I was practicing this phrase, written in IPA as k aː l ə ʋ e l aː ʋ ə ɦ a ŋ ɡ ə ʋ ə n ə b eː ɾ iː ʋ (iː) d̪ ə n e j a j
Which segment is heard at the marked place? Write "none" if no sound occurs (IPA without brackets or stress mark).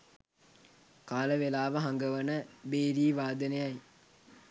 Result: aː